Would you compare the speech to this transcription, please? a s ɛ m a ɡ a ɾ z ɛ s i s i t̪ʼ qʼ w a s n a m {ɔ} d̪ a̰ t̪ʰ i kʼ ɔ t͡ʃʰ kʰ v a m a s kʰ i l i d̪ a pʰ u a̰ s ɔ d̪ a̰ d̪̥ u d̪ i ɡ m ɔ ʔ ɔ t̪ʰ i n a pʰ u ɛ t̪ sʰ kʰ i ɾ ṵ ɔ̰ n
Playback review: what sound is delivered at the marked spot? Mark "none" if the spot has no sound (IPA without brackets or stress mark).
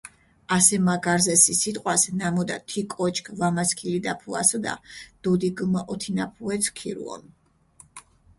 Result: ɔ